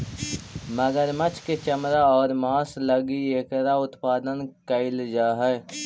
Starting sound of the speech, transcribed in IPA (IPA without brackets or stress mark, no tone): m